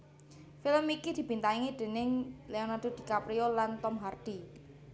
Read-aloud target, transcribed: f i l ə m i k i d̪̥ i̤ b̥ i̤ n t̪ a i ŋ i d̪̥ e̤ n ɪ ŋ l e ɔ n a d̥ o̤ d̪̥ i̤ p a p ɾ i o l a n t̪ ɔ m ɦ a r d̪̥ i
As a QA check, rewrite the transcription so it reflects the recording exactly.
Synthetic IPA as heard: f i l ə m i k i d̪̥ i̤ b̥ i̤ n t̪ a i ŋ i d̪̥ e̤ n ɪ ŋ l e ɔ n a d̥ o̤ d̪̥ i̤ k a p ɾ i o l a n t̪ ɔ m ɦ a r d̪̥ i

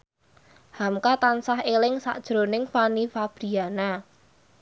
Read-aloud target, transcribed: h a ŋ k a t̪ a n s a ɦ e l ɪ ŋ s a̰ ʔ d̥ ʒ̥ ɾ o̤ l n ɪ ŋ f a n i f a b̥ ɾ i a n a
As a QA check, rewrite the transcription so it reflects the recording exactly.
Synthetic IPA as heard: h a m k a t̪ a n s a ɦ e l ɪ ŋ s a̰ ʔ d̥ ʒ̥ ɾ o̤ n ɪ ŋ f a n i f a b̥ ɾ i a n a

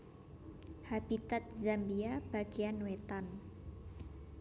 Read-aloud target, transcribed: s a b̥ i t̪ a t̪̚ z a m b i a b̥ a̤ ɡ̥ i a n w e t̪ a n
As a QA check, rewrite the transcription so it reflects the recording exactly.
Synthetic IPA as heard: h a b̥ i t̪ a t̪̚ z a m b i a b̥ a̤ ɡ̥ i a n w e t̪ a n

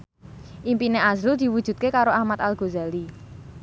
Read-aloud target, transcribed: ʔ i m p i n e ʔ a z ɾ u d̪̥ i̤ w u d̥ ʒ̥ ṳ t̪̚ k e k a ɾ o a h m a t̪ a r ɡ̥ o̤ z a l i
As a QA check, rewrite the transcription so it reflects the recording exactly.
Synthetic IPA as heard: ʔ i m p i n e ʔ a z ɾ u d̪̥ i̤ w u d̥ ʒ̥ ṳ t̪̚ k e k a ɾ o a h m a t̪ a l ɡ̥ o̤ z a l i

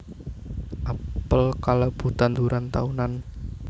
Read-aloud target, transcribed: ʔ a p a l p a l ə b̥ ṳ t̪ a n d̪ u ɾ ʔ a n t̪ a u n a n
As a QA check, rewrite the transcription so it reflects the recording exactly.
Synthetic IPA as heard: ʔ a p ə l k a l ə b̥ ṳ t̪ a n d̪ u ɾ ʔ a n t̪ a u n a n

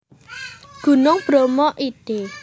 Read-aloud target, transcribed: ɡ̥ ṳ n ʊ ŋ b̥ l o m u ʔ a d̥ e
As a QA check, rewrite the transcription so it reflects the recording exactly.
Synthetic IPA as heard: ɡ̥ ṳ n ʊ ŋ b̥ ɾ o m ɔ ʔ i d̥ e

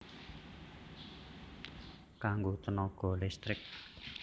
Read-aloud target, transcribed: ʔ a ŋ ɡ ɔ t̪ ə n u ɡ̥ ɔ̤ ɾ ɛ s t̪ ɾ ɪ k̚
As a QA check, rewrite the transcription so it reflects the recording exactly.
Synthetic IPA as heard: k a ŋ ɡ o t̪ ə n ɔ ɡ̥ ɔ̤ l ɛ s t̪ ɾ ɪ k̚

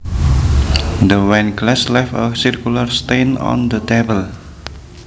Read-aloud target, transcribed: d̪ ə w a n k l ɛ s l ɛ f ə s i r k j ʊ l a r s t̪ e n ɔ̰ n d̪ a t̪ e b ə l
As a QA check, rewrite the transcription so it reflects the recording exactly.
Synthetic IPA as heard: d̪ ə w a n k l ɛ s l ɛ f ə s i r k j u l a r s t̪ e n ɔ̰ n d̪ ə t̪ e b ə l

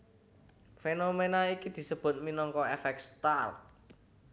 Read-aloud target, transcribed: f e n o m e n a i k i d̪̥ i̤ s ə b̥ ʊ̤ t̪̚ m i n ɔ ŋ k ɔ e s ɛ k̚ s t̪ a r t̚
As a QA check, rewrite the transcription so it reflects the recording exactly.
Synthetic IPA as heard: f e n o m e n a i k i d̪̥ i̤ s ə b̥ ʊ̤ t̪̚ m i n ɔ ŋ k ɔ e f ɛ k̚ s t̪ a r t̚

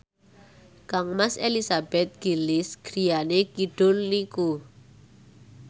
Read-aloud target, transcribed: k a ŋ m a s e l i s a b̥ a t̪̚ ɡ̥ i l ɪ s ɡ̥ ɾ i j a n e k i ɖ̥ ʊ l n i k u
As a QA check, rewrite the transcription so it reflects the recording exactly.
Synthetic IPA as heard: k a ŋ m a s e l i s a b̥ ɛ t̪̚ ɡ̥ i l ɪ s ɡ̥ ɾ i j a n e k i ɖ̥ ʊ l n i k u

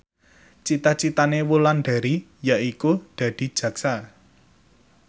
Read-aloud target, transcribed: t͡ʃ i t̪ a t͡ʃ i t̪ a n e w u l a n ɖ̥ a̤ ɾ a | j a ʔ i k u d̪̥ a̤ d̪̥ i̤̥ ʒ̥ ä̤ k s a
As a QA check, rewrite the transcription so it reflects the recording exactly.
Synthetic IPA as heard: t͡ʃ i t̪ a t͡ʃ i t̪ a n e w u l a n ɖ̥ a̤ ɾ i | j a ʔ i k u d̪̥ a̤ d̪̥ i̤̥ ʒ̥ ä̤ k s a

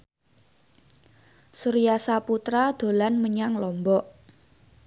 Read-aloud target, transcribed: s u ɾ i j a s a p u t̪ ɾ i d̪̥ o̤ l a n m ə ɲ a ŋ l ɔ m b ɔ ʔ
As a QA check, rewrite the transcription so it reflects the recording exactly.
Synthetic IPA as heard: s u ɾ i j a s a p u t̪ ɾ a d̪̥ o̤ l a n m ə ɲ a ŋ l ɔ m b ɔ ʔ

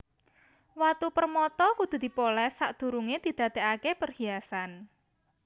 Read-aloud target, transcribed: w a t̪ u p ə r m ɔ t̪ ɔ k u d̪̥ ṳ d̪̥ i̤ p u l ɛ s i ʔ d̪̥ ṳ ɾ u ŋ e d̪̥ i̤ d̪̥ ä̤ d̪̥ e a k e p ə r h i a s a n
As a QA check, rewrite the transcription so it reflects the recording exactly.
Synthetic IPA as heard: w a t̪ u p ə r m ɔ t̪ ɔ k u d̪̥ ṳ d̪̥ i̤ p o l ɛ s a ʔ d̪̥ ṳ ɾ u ŋ e d̪̥ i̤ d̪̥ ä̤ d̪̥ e a k e p ə r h i a s a n

